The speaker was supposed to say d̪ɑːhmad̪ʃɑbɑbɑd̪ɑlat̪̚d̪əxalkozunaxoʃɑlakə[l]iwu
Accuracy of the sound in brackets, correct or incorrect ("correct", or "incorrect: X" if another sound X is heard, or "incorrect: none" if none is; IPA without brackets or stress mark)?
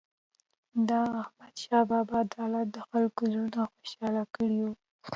incorrect: ɽ